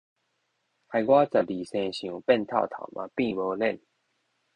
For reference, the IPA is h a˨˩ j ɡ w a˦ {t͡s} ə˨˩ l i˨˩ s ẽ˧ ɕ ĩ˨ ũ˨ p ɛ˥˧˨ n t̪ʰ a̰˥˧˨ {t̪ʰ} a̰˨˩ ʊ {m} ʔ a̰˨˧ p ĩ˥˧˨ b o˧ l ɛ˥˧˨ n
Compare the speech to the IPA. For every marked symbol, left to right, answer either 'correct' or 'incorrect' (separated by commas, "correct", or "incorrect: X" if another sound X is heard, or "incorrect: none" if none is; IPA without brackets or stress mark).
correct, correct, correct